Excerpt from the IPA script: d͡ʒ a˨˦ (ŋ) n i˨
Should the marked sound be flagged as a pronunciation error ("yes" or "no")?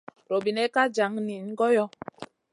no